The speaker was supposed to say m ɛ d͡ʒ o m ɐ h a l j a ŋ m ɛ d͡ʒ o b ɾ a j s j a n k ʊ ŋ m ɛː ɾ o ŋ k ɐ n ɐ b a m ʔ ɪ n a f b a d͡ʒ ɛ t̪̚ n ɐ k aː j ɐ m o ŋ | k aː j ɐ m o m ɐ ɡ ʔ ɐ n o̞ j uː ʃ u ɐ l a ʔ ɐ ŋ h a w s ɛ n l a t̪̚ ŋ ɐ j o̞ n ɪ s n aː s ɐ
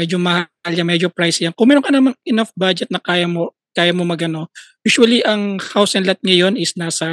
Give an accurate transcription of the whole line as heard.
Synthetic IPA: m ɛ d͡ʒ o m ɐ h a l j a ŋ m ɛ d͡ʒ o p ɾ a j s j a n k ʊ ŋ m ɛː ɾ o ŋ k ɐ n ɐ m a ŋ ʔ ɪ n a f b a d͡ʒ ɛ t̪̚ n ɐ k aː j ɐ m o | k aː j ɐ m o m ɐ ɡ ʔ ɐ n o̞ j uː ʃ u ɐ l i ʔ ɐ ŋ h a w s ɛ n l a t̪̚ ŋ ɐ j o̞ n ɪ s n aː s ɐ